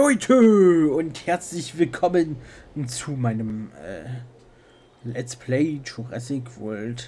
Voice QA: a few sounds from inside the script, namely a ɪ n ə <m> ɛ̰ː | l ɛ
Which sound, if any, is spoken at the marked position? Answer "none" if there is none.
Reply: m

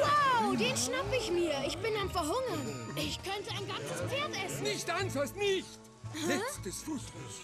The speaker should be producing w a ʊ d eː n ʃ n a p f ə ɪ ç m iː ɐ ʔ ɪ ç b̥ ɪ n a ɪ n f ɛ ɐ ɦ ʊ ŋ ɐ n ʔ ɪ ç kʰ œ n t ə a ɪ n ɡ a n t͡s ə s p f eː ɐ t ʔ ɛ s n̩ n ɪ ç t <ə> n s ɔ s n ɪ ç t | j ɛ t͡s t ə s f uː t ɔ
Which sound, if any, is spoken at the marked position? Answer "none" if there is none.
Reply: a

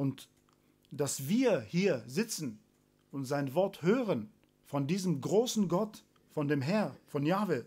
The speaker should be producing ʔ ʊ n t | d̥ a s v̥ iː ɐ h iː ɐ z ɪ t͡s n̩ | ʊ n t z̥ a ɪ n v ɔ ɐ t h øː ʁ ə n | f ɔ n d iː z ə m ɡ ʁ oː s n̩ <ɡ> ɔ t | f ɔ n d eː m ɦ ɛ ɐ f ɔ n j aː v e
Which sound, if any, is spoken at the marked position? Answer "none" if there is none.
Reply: ɡ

